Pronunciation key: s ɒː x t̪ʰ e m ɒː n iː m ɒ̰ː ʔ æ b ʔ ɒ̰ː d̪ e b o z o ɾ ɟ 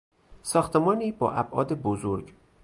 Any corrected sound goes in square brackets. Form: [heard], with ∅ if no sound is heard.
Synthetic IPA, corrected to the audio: s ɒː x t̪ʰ e m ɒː n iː [b] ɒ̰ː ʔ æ b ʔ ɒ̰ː d̪ e b o z o ɾ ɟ